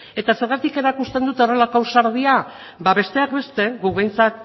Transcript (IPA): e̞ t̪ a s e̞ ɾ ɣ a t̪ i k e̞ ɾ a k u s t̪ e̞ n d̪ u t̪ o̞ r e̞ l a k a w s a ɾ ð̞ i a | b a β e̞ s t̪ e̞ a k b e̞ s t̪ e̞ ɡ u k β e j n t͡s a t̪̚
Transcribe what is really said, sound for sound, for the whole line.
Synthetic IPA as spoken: e̞ t̪ a s e̞ ɾ ɣ a t̪ i k e̞ ɾ a k u s t̪ e̞ n d̪ u t̪ o̞ r e̞ l a k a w s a ɾ ð̞ i a | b a β e̞ s t̪ e̞ a k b e̞ s t̪ e̞ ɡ u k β e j n t͡s a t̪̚